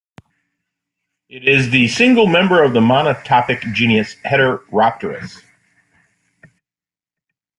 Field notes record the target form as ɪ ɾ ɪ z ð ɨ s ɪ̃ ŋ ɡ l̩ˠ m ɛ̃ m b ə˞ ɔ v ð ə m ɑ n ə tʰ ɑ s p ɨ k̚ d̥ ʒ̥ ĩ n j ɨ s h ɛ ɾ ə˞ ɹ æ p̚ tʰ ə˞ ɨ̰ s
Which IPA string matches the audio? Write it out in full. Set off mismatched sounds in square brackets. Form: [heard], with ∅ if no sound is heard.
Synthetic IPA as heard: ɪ ɾ ɪ z ð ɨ s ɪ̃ ŋ ɡ l̩ˠ m ɛ̃ m b ə˞ [ʌ] v ð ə m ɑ n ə tʰ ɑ [∅] p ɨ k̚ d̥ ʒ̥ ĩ n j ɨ s h ɛ ɾ ə˞ ɹ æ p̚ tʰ ə˞ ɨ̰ s